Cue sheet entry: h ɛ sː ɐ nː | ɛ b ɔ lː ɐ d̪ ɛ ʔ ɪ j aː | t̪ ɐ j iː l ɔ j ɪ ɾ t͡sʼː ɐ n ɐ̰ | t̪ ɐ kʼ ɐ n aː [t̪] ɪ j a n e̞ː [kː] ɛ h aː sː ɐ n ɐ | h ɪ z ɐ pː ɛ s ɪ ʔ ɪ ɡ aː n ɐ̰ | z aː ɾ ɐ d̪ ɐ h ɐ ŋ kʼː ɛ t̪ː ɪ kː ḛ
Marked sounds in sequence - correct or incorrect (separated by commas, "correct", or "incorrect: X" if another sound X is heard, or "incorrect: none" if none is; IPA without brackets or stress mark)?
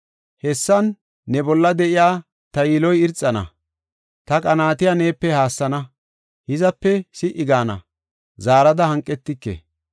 correct, incorrect: pː